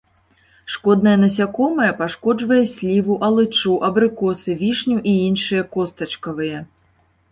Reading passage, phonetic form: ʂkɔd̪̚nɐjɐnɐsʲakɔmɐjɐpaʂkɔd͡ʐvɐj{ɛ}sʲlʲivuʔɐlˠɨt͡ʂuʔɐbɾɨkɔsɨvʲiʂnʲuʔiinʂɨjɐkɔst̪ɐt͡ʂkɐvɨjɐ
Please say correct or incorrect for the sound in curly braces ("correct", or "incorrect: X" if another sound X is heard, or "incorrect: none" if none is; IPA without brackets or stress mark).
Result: correct